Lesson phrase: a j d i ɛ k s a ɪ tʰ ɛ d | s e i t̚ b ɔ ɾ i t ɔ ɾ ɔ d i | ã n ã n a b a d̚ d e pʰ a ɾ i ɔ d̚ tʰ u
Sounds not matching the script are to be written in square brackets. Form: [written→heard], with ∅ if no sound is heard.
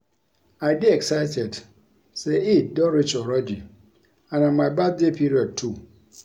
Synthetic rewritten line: a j d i ɛ k s a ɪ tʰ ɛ d | s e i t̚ [b→d] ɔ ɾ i [t→t͡ʃ] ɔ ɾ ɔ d i | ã n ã [n→m] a b a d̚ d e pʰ [a→i] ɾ i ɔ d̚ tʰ u